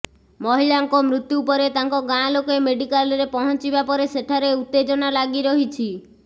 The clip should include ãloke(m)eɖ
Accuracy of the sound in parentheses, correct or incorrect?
correct